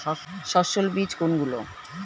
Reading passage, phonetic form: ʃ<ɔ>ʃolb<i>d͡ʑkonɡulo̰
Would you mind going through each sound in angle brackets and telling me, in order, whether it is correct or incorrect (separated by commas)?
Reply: correct, correct